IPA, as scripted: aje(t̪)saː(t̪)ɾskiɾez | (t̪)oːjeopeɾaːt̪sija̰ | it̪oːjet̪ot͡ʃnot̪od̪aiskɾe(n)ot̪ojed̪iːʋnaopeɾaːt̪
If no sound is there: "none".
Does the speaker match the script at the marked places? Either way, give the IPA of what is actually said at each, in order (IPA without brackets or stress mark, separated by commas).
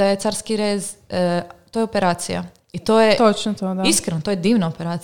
t̪, none, t̪, n